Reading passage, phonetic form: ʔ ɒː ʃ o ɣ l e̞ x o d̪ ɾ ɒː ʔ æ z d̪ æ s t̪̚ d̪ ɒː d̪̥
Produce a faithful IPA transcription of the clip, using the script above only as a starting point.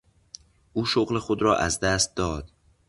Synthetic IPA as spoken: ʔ uː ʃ o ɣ l e̞ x o d̪ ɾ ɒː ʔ æ z d̪ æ s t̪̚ d̪ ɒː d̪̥